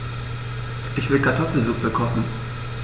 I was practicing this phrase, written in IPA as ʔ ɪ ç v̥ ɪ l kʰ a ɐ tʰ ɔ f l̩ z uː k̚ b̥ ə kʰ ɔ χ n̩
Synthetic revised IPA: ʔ ɪ ç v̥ ɪ l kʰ a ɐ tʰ ɔ f l̩ z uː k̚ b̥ ə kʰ ɔ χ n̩